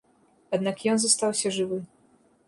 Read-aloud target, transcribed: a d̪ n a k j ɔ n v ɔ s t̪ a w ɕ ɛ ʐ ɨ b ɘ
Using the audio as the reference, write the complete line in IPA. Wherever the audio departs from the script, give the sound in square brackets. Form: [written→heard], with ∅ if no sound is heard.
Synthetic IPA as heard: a d̪ n a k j ɔ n [v→z] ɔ s t̪ a w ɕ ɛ ʐ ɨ [b→v] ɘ